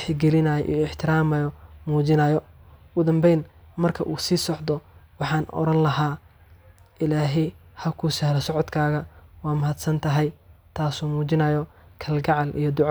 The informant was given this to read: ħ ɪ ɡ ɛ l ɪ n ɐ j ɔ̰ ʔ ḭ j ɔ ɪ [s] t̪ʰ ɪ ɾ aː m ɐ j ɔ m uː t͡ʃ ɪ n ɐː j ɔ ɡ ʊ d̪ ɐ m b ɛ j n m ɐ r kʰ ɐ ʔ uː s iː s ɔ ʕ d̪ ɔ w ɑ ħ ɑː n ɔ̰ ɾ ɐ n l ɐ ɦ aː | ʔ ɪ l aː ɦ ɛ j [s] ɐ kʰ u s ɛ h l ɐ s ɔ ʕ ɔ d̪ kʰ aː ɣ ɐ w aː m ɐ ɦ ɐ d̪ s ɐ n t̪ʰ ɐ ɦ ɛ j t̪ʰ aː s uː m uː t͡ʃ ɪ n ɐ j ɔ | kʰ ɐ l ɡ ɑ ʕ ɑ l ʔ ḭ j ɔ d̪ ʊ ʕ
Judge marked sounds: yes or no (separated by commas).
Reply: no, no